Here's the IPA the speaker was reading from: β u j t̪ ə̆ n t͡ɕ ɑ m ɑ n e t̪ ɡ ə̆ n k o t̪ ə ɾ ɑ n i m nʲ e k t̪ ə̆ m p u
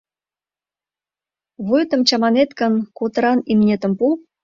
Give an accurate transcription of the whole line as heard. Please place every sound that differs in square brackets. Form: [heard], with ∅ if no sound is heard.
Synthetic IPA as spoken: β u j t̪ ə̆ [m] t͡ɕ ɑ m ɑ n e t̪ [k] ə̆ n k o t̪ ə ɾ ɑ n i m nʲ e [∅] t̪ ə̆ m p u